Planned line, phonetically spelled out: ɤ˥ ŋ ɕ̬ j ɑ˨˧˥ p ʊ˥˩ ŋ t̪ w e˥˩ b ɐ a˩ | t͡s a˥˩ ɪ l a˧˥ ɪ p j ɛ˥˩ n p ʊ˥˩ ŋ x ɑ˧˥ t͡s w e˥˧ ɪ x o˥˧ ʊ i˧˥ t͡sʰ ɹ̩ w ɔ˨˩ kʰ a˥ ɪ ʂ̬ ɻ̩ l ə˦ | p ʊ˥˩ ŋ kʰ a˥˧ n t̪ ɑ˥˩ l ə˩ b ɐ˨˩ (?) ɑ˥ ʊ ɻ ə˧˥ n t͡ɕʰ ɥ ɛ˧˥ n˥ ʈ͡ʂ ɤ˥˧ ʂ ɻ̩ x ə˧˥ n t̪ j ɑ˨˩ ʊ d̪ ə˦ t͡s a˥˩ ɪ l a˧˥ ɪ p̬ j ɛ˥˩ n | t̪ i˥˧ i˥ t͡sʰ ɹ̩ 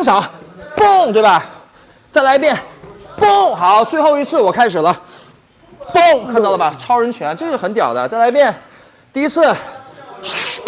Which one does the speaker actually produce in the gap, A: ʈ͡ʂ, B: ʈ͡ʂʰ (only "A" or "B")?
B